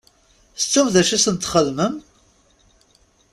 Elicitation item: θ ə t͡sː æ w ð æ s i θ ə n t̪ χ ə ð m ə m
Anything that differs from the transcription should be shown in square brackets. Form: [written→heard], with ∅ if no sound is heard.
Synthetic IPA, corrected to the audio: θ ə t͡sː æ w ð æ [s→ʃ] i [θ→s] ə n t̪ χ ə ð m ə m